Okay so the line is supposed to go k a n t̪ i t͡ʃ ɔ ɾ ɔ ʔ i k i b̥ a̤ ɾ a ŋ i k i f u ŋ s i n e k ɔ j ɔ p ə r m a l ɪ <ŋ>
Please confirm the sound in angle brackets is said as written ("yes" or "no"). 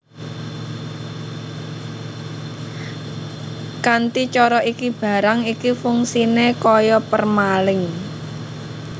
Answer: yes